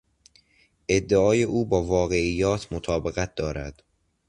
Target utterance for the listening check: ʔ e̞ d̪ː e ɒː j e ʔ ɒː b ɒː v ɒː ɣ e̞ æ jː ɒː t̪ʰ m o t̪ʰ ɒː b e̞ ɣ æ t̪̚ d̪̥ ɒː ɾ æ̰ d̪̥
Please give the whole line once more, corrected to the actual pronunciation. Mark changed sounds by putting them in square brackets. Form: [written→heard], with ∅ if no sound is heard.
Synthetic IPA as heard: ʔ e̞ d̪ː e ɒː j e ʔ [ɒː→uː] b ɒː v ɒː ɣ e̞ [æ→i] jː ɒː t̪ʰ m o t̪ʰ ɒː b e̞ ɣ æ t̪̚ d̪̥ ɒː ɾ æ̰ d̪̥